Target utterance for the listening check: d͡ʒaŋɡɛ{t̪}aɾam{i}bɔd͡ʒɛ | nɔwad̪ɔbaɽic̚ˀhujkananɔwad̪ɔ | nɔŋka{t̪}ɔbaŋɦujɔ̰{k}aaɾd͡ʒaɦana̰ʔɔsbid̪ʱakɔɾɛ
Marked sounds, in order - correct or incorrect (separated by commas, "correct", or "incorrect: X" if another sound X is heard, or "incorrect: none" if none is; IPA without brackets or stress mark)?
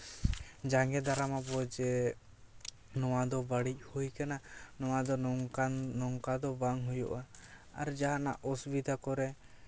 incorrect: d̪, incorrect: a, incorrect: d̪, incorrect: ʔ